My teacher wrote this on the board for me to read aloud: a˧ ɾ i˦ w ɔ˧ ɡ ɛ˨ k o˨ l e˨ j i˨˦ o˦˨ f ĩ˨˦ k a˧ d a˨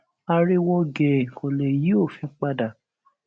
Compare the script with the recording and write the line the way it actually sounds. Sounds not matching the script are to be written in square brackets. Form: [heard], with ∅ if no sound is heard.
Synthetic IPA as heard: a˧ ɾ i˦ w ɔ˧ ɡ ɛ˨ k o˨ l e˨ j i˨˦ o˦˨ f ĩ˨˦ [k͡p] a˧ d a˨